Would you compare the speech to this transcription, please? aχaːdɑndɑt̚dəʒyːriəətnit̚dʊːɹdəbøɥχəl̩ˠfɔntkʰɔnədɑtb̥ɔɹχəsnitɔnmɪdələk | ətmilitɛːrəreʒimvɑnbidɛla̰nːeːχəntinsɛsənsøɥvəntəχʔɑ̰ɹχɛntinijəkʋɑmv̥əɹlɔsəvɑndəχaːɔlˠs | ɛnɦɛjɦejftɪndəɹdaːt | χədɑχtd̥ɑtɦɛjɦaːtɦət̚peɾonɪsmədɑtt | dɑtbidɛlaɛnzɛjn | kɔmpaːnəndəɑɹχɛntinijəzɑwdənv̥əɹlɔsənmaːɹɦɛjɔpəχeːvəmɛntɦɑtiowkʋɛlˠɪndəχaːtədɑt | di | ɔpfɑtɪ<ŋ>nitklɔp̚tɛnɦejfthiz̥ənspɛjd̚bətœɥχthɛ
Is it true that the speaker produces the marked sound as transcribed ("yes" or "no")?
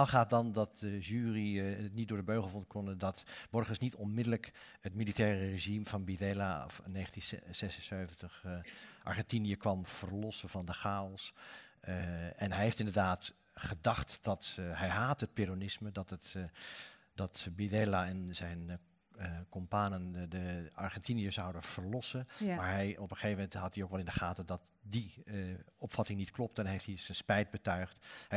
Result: yes